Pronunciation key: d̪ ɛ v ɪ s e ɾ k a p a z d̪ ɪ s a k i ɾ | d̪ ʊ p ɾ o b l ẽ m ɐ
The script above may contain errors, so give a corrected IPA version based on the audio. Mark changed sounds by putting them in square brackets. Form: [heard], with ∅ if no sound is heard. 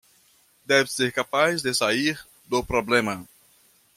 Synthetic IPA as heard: d̪ ɛ v ɪ s e ɾ k a p a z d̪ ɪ s a [∅] i ɾ | d̪ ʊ p ɾ o b l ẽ m ɐ